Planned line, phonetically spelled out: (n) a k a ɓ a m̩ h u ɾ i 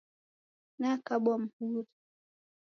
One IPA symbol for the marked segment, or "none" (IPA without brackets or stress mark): n